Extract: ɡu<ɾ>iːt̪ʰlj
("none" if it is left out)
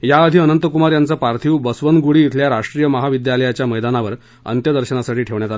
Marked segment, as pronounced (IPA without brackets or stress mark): ɽ